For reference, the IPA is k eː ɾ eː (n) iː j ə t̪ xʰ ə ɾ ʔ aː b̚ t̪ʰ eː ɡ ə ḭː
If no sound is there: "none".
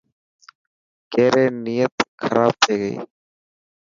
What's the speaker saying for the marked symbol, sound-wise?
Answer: n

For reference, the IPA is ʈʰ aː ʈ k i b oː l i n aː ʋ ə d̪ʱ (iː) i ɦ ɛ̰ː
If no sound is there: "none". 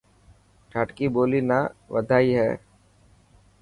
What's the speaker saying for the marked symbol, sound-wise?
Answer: aː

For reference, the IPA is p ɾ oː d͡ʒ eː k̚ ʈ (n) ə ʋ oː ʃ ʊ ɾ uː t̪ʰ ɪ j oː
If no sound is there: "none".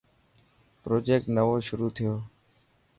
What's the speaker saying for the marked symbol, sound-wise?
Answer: n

